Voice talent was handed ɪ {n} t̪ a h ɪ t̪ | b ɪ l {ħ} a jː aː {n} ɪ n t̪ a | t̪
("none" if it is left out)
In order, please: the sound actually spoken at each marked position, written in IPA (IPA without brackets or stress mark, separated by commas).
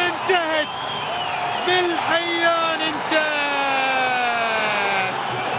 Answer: n, ħ, n